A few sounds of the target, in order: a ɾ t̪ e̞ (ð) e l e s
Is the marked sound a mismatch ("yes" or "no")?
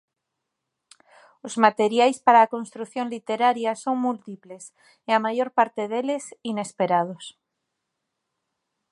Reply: no